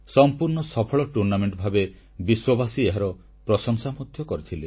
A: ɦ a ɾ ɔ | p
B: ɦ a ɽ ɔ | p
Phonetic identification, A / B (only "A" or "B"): A